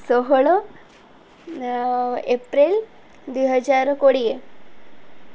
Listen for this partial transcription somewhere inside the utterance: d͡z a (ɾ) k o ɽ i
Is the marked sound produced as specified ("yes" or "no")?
yes